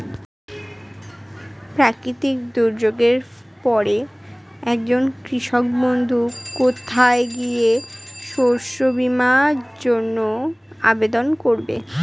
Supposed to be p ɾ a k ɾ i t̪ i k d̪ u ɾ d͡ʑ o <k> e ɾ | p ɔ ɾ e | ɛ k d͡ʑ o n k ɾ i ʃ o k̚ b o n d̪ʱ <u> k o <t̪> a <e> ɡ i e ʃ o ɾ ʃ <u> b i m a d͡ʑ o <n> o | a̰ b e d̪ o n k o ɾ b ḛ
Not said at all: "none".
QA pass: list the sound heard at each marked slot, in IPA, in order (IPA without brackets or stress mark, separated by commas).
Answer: ɡ, u, t̪ʰ, e, o, nː